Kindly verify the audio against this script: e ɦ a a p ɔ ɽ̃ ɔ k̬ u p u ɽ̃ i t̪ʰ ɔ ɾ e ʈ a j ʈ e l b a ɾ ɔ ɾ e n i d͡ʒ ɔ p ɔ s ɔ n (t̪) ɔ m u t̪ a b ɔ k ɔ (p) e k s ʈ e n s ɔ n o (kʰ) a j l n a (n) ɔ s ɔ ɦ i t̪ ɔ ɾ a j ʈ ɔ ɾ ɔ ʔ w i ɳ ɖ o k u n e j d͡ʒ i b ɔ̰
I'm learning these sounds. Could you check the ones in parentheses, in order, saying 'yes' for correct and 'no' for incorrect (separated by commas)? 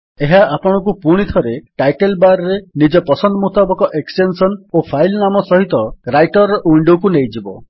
no, no, no, no